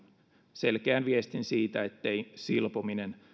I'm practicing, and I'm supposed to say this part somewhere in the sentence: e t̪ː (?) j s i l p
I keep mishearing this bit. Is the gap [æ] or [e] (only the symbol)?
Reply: e